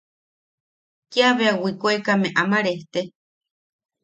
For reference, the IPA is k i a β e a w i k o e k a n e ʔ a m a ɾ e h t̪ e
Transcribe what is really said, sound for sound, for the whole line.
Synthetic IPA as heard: k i a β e a w i k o e k a m e ʔ a m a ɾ e h t̪ e